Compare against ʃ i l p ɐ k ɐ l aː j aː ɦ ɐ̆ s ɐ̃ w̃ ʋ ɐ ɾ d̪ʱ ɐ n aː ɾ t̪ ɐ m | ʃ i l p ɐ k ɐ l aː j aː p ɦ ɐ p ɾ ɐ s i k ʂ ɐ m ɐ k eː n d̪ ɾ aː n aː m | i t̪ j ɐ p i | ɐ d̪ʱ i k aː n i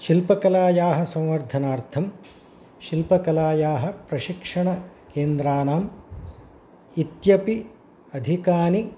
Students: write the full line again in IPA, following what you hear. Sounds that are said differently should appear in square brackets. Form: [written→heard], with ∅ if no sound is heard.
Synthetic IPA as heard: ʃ i l p ɐ k ɐ l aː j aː ɦ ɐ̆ s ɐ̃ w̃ ʋ ɐ ɾ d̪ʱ ɐ n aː ɾ [t̪→t̪ʰ] ɐ m | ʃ i l p ɐ k ɐ l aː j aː [p→∅] ɦ ɐ p ɾ ɐ [s→ʃ] i k ʂ ɐ [m→ɳ] ɐ k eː n d̪ ɾ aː n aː m | i t̪ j ɐ p i | ɐ d̪ʱ i k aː n i